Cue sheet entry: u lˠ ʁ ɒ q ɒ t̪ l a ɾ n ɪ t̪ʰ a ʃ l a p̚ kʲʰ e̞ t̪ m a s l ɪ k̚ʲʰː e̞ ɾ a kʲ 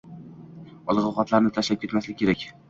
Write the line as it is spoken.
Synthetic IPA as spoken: ɒ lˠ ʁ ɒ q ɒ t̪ l a ɾ n ɪ t̪ʰ a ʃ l a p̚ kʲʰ e̞ t̪ m a s l ɪ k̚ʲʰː e̞ ɾ a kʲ

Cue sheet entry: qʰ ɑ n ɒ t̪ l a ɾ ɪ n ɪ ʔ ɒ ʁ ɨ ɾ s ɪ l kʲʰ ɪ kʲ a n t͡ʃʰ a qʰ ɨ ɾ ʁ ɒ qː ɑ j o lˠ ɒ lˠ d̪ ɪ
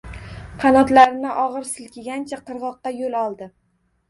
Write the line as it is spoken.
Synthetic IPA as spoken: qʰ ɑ n ɒ t̪ l a ɾ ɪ n ɪ ʔ ɒ ʁ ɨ ɾ s ɪ l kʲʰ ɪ ɡʲ a n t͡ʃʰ a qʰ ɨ ɾ ʁ ɒ qː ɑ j o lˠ ɒ lˠ d̪ ɪ

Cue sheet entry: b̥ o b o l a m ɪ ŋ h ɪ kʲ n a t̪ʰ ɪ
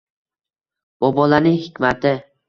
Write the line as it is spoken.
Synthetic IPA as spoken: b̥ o b ɒ l a n ɪ ŋ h ɪ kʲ m a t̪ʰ ɪ

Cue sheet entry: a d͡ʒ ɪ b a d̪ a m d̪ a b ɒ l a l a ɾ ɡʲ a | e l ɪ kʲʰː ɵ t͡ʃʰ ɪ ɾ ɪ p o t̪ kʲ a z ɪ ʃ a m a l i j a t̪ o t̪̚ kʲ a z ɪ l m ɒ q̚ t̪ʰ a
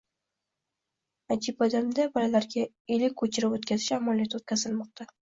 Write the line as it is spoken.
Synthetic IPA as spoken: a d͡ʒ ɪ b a d̪ a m d̪ a b ɒ l a l a ɾ ɡʲ a | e l ɪ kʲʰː ɵ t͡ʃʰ ɪ ɾ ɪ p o t̪ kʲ a z ɪ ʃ a m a l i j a t̪ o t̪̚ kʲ a z ɪ l m ɒ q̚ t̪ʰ a

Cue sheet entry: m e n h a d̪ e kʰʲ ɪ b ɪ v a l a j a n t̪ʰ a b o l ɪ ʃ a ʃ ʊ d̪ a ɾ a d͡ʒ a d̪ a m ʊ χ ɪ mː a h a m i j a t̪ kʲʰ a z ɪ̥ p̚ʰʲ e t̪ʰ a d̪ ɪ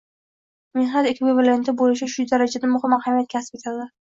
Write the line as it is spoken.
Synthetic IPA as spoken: m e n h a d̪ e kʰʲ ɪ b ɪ v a l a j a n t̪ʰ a b o l ɪ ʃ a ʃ ʊ d̪ a ɾ a d͡ʒ a d̪ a m ʊ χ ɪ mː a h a m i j a t̪ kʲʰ a s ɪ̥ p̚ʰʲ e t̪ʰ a d̪ ɪ

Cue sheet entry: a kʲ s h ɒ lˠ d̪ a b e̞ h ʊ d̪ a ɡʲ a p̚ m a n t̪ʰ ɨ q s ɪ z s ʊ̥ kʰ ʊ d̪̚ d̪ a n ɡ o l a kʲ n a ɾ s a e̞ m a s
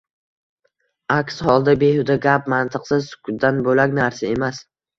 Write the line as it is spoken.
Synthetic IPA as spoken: a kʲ s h ɒ lˠ d̪ a b e̞ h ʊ d̪ a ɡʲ a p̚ m a n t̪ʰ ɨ q s ɪ z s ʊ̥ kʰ ʊ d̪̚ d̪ a n b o l a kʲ n a ɾ s a e̞ m a s

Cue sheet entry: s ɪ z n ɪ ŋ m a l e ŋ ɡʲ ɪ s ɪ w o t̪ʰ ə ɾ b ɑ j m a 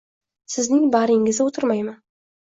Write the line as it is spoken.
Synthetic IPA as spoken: s ɪ z n ɪ ŋ b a ɾ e ŋ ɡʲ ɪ z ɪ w o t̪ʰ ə ɾ m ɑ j m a

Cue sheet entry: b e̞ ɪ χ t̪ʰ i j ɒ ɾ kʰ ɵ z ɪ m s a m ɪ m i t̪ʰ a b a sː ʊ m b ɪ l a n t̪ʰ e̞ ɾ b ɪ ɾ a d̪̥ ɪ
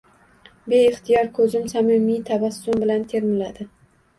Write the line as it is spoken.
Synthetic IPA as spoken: b e̞ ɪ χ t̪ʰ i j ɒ ɾ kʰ ɵ z ɪ m s a m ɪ m i t̪ʰ a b a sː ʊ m b ɪ l a n t̪ʰ e̞ ɾ m ɪ l a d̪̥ ɪ

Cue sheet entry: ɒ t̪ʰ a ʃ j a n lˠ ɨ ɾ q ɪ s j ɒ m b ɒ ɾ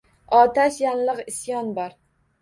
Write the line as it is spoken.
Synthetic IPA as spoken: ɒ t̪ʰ a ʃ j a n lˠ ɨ q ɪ s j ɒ n b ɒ ɾ

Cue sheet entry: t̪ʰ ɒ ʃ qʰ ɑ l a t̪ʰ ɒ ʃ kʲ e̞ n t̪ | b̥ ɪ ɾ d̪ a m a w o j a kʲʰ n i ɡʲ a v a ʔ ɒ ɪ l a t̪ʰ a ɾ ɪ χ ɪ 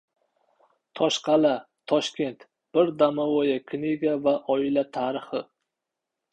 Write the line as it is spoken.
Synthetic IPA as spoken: t̪ʰ ɒ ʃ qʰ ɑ l a t̪ʰ ɒ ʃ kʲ e̞ n t̪ | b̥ ɪ ɾ d̪ a m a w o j a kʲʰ n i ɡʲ a v a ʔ ɒ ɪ l a t̪ʰ a ɾ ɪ χ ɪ

